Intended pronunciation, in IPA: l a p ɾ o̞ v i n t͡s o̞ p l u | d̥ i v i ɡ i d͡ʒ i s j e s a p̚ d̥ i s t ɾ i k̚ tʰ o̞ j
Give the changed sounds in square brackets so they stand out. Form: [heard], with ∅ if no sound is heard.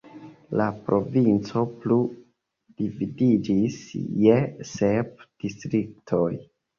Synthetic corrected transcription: l a p ɾ o̞ v i n t͡s o̞ p l u | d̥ i v i [d] i d͡ʒ i s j e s [e] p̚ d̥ i s t ɾ i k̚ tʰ o̞ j